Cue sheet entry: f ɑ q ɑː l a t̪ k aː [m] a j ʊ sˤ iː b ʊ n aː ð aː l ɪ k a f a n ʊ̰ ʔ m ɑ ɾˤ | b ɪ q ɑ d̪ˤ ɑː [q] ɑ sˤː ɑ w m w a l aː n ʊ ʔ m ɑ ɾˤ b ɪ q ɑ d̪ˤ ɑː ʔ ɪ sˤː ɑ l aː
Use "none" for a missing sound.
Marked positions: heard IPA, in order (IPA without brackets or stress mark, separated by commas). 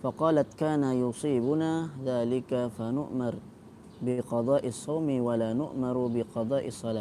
n, ʔ